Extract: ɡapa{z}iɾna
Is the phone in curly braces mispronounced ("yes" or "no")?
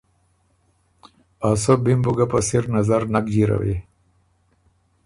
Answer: yes